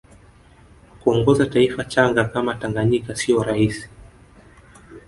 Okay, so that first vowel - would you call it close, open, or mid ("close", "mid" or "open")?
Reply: close